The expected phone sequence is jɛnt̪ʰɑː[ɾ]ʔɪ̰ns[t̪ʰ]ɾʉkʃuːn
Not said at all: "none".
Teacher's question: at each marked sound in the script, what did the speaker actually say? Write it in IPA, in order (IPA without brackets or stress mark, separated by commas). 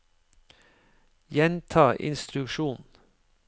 none, t̪